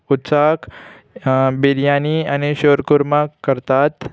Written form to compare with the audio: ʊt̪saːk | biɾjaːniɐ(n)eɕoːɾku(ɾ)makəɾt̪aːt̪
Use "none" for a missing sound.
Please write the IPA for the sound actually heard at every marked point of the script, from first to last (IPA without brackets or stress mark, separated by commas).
n, ɾ